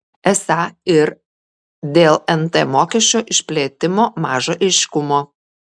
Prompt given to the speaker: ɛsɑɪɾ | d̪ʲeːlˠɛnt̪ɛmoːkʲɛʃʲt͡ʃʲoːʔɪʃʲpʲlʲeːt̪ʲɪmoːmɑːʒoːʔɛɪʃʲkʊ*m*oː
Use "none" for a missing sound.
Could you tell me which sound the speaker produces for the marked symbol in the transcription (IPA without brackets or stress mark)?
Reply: m